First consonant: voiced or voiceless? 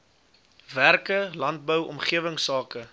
voiced